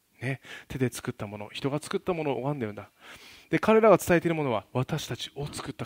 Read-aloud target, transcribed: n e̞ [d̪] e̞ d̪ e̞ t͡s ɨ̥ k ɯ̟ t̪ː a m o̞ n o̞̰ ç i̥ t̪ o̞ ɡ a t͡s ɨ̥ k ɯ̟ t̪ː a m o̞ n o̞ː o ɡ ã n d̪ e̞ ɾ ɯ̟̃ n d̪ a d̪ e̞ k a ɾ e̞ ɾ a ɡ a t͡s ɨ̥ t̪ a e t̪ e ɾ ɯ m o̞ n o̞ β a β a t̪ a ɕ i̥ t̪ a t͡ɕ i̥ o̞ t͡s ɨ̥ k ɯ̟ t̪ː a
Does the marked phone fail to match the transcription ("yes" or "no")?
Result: yes